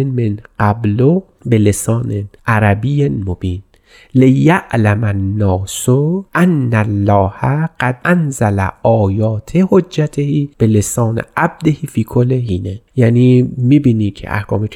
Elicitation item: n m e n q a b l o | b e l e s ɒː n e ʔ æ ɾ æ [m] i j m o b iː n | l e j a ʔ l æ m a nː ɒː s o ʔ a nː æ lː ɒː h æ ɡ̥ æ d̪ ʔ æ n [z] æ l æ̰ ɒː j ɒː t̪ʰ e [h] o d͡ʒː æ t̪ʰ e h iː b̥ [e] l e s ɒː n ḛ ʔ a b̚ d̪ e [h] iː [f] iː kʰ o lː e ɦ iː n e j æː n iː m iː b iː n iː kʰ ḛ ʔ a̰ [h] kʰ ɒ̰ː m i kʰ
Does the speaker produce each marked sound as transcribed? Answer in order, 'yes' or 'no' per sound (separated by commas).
no, yes, yes, yes, yes, yes, yes